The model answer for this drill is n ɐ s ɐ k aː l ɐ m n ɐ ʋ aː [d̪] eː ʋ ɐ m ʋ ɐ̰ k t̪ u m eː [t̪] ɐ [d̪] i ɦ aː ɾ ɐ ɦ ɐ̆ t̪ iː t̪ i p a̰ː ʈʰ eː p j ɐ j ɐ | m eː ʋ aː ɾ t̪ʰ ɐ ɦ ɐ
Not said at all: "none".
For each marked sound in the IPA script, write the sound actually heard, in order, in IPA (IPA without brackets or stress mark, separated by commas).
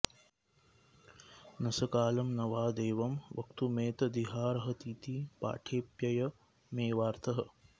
d̪, t̪, d̪